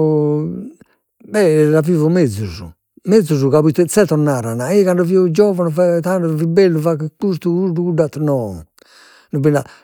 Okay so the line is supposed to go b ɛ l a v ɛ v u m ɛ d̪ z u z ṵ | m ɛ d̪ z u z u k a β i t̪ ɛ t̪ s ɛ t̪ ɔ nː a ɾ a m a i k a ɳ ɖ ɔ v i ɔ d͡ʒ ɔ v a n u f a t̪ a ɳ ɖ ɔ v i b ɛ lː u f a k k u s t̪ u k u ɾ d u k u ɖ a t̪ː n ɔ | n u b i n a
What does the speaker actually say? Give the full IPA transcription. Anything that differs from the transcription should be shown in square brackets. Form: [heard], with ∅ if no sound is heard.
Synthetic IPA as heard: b ɛ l a v [i] v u m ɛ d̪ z u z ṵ | m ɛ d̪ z u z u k a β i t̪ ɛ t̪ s ɛ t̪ ɔ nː a ɾ a [n] a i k a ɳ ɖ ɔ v i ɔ d͡ʒ ɔ v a n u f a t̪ a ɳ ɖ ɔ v i b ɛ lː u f a k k u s t̪ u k u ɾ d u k u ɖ a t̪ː n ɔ | n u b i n a